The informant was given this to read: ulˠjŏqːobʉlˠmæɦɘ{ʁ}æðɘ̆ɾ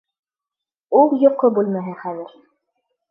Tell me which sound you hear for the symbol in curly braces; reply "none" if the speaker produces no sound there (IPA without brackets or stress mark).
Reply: χ